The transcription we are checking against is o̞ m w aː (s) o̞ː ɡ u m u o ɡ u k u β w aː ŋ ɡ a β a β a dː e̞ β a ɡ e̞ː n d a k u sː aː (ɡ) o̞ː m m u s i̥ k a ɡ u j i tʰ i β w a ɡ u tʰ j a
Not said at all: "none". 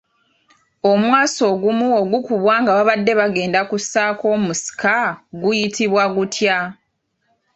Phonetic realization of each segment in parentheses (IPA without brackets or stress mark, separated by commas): s, k